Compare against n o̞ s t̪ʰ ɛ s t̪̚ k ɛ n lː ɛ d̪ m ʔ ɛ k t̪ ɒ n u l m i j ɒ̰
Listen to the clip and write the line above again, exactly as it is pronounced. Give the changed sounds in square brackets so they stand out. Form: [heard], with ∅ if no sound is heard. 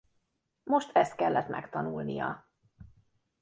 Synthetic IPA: [m] o̞ [ʃ] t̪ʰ ɛ s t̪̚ k ɛ [∅] lː ɛ [t̪] m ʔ ɛ k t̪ ɒ n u l [n] i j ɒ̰